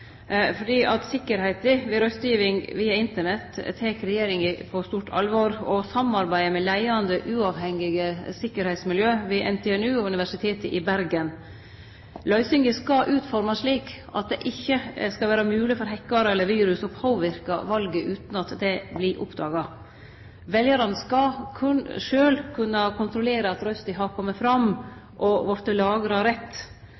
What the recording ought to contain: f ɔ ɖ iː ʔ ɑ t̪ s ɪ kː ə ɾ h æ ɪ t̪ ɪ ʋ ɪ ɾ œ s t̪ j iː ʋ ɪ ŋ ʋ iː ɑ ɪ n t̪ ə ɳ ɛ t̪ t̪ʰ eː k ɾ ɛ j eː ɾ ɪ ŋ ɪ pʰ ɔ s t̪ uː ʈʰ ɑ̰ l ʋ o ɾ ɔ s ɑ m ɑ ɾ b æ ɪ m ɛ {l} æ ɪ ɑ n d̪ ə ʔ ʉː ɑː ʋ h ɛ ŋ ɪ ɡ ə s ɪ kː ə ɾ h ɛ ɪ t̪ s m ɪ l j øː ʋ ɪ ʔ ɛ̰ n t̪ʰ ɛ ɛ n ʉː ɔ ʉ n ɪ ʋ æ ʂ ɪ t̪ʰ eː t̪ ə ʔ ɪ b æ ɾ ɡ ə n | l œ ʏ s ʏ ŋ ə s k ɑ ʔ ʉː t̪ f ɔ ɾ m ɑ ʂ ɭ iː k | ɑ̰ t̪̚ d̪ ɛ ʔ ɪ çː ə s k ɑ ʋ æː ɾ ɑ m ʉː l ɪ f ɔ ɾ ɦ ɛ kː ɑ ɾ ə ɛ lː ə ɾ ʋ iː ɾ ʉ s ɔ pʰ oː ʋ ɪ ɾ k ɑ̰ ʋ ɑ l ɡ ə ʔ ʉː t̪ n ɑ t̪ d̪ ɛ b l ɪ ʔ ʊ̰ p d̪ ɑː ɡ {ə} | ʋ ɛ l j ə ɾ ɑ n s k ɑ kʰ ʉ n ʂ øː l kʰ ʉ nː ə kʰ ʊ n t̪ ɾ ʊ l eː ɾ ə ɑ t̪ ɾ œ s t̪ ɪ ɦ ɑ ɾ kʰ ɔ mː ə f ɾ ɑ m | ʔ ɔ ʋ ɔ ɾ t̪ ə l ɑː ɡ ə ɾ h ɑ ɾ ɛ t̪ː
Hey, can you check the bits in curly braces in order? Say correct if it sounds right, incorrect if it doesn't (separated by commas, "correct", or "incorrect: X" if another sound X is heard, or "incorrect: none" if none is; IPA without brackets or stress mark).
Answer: correct, incorrect: ɑ